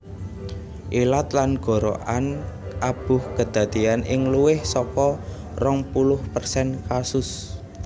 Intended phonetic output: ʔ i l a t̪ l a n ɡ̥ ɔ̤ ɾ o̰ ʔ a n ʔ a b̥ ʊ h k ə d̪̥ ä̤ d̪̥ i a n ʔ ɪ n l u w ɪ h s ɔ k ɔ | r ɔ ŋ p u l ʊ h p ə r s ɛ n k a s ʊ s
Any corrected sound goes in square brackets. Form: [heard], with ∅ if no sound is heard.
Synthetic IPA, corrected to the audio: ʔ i l a t̪ l a n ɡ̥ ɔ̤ ɾ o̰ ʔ a n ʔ a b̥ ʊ h k ə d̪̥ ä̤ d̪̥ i a n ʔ ɪ [ŋ] l u w ɪ h s ɔ k ɔ | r ɔ ŋ p u l ʊ h p ə r s ɛ n k a s ʊ s